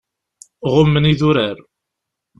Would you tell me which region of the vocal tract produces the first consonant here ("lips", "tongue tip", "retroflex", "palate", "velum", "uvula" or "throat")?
uvula